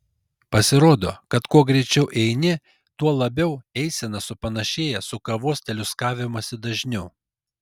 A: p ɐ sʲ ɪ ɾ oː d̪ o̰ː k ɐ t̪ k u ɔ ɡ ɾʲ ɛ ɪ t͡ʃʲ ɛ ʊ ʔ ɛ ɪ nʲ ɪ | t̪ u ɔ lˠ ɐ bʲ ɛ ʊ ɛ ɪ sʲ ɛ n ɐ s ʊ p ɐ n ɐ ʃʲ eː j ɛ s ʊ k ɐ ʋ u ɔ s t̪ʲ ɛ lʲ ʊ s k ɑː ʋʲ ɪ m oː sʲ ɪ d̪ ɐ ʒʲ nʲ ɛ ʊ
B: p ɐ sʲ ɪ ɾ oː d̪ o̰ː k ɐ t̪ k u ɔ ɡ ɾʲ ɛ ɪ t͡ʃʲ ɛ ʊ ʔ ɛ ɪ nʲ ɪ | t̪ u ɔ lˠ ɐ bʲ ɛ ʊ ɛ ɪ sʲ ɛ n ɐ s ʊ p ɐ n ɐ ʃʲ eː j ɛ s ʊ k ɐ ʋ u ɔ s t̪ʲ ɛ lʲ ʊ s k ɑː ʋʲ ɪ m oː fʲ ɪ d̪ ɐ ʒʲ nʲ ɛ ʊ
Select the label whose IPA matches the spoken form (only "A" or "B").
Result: A